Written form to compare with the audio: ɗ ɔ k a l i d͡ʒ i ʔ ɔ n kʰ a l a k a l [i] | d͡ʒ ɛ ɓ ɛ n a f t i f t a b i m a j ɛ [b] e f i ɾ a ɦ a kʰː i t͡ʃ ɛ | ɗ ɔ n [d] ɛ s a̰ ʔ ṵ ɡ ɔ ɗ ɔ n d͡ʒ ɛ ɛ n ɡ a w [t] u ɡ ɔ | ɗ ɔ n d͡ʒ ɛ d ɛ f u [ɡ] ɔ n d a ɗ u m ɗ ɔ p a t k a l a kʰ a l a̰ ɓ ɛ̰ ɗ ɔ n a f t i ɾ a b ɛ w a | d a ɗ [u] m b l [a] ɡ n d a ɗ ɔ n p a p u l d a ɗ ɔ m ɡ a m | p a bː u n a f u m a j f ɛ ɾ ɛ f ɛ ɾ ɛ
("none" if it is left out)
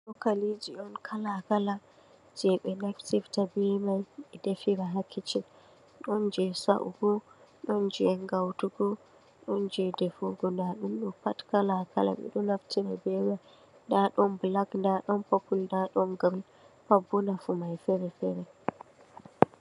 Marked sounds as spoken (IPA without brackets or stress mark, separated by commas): a, d, d͡ʒ, t, ɡ, ɔ, a